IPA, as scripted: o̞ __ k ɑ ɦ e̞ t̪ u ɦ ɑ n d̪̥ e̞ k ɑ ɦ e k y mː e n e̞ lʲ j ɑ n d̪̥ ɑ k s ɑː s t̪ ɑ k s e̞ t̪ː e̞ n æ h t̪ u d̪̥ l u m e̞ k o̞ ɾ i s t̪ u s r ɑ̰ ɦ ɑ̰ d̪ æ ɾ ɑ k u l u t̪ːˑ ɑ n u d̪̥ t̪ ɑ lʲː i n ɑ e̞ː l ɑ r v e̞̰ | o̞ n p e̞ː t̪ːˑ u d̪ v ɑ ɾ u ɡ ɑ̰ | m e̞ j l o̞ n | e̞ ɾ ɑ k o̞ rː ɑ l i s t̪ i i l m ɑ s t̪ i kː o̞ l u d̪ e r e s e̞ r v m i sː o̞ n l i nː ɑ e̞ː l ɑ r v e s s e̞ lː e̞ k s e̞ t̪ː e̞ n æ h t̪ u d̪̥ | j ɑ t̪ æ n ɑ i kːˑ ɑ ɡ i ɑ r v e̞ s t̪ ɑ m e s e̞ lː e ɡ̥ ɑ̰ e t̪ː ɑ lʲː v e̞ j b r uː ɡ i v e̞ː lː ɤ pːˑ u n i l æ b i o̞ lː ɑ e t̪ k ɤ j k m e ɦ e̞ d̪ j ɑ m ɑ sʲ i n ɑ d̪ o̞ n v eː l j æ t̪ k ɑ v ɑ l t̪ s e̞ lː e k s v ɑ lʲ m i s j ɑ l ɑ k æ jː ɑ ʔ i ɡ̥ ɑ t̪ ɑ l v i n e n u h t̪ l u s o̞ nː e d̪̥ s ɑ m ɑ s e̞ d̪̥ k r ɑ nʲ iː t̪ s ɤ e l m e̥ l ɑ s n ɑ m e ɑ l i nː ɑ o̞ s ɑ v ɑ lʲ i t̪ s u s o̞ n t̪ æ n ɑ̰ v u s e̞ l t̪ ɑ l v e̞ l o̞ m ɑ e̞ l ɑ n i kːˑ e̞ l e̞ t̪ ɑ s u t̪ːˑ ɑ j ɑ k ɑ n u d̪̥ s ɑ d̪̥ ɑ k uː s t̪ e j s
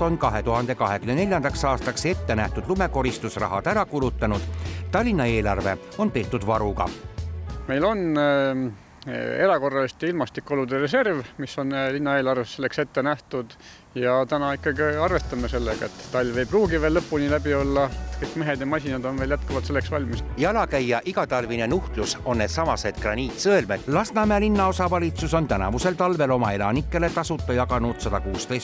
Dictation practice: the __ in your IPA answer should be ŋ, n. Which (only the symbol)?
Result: n